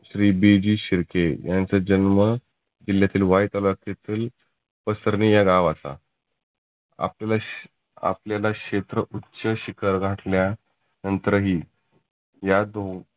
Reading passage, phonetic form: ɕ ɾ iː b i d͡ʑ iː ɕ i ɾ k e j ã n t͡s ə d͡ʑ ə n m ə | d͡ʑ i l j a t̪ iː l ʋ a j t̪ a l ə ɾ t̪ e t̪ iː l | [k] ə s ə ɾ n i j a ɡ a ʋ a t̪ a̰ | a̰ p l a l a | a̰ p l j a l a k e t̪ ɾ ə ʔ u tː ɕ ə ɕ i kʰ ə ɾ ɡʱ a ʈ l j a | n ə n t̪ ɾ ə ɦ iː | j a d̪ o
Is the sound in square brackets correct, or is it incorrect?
incorrect: p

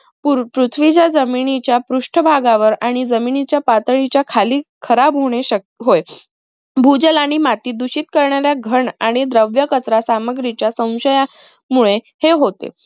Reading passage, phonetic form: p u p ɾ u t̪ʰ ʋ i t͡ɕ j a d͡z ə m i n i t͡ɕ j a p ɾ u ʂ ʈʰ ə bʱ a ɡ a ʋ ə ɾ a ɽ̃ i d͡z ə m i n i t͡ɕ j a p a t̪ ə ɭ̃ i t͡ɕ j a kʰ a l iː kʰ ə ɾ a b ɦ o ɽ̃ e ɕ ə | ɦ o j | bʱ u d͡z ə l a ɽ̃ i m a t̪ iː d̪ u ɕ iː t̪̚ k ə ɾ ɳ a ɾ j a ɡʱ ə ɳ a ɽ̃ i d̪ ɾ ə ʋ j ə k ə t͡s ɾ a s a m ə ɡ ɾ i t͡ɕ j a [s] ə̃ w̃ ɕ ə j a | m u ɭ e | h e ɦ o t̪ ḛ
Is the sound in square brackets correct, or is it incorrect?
correct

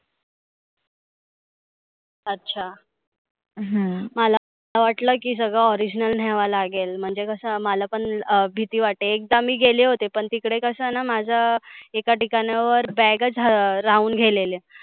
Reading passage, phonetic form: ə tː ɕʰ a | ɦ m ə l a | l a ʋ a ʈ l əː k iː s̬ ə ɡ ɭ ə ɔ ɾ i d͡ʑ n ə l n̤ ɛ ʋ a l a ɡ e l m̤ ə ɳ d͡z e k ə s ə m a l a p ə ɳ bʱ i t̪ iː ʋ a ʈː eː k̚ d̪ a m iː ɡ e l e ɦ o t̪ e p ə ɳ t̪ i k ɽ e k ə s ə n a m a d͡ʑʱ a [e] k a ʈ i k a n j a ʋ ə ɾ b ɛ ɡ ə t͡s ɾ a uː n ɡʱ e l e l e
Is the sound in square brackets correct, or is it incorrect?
correct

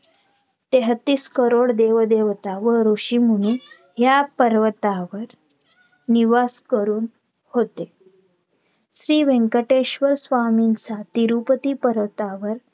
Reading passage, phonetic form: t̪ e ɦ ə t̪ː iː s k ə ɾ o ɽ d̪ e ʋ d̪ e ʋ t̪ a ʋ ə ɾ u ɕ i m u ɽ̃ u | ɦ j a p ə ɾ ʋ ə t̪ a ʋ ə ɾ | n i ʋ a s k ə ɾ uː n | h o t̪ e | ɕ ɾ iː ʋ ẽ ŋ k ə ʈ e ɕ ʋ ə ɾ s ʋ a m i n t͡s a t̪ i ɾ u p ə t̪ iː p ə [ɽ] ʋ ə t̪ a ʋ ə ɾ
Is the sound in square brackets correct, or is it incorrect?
incorrect: ɾ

